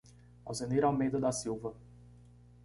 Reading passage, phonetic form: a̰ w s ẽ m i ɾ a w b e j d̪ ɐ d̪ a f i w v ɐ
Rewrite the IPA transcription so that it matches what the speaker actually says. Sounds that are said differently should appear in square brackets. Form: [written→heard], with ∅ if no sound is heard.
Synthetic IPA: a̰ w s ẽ [m→n] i ɾ a w [b→m] e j d̪ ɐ d̪ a [f→s] i w v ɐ